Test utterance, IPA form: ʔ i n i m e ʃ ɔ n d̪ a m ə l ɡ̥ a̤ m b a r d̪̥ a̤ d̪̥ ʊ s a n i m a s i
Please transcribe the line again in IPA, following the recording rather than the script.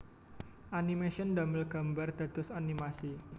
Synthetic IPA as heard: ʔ a n i m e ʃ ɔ n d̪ a m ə l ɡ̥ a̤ m b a r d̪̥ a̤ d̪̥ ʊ s a n i m a s i

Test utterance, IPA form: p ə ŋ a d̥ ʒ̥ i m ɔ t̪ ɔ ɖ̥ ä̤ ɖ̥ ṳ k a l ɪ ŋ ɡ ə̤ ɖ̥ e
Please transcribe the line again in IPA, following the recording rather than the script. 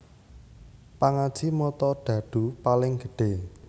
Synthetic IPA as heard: p a ŋ a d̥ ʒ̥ i m ɔ t̪ ɔ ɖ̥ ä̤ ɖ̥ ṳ p a l ɪ ŋ ɡ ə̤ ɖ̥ e

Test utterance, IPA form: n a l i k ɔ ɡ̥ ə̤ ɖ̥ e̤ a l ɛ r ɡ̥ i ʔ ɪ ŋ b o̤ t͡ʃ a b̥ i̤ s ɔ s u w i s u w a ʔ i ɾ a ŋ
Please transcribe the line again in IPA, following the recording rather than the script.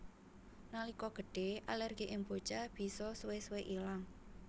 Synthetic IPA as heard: n a l i k ɔ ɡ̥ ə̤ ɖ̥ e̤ a l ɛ r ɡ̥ i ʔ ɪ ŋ b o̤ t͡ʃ a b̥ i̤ s ɔ s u w e s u w e ʔ i l a ŋ

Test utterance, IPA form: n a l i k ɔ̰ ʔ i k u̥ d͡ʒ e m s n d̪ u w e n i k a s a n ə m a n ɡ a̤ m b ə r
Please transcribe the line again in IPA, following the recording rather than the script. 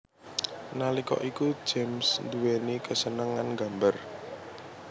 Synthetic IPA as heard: n a l i k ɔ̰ ʔ i k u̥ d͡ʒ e m s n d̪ u w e n i k ə s ə n ə ŋ a n ɡ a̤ m b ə r

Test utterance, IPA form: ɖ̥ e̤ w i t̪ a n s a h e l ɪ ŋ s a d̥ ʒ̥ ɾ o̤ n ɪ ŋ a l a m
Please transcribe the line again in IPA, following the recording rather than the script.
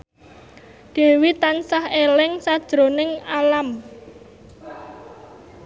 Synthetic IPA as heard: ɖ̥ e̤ w i t̪ a n s a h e l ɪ ŋ s a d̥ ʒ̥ ɾ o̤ n ɪ ŋ a l a m

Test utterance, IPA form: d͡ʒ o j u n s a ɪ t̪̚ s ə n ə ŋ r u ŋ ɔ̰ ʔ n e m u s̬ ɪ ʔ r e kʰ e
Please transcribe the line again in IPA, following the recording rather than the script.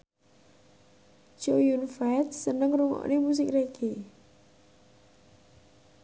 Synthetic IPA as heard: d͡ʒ o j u n f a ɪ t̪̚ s ə n ə ŋ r u ŋ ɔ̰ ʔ n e m u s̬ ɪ k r e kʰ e

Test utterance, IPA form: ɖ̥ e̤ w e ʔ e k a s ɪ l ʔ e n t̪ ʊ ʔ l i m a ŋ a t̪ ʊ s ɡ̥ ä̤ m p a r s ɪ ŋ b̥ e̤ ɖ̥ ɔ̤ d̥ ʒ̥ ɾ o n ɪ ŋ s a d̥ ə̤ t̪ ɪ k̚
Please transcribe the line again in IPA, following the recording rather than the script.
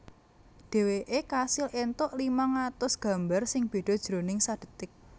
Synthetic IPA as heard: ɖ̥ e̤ w e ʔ e k a s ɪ l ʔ e n t̪ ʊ ʔ l i m a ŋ a t̪ ʊ s ɡ̥ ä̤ m b a r s ɪ ŋ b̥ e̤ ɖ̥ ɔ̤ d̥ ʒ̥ ɾ o n ɪ ŋ s a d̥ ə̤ t̪ ɪ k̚

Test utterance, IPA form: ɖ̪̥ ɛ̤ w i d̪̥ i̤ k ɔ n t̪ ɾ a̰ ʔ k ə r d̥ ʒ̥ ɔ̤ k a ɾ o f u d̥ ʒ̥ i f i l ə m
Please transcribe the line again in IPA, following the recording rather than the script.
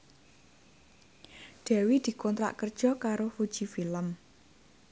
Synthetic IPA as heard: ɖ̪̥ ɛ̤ w i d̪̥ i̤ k ɔ n t̪ ɾ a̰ ʔ k ə r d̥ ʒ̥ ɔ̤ k a ɾ o f u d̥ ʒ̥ i f i l ə m

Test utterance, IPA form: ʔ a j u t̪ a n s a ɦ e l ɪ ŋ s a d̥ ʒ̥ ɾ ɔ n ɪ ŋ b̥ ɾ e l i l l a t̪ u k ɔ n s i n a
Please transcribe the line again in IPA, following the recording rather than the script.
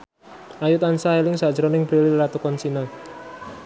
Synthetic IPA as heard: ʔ a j u t̪ a n s a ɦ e l ɪ ŋ s a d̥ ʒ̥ ɾ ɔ n ɪ ŋ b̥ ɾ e l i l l a t̪ u k ɔ n s i n a

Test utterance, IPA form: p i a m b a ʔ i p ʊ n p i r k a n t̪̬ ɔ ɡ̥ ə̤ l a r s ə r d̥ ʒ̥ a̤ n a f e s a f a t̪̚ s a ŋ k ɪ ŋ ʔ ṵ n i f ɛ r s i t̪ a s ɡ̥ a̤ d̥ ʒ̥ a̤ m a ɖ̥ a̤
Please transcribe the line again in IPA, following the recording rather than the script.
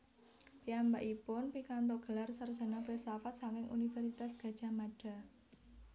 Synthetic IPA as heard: p i a m b a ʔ i p ʊ n p i k a n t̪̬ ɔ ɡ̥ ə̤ l a r s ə r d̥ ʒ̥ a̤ n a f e s a f a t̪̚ s a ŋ k ɪ ŋ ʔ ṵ n i f ɛ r s i t̪ a s ɡ̥ a̤ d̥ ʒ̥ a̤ m a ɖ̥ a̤

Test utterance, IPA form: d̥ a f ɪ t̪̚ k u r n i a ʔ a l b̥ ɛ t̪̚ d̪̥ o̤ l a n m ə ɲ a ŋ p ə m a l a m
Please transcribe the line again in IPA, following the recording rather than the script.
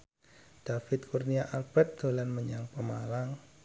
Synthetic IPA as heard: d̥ a f ɪ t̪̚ k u r n i a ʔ a l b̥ ɛ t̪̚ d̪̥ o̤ l a n m ə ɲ a ŋ p ə m a l a ŋ

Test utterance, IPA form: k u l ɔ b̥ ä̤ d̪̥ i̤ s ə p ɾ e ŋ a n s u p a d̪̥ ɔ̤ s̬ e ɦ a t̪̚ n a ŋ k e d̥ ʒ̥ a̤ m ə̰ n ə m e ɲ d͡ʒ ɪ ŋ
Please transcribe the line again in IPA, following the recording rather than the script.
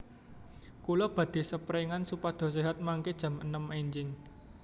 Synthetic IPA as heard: k u l ɔ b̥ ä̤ d̪̥ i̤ s ə p ɾ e ŋ a n s u p a d̪̥ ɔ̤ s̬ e ɦ a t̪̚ m a ŋ k e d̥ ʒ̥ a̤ m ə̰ n ə m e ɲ d͡ʒ ɪ ŋ

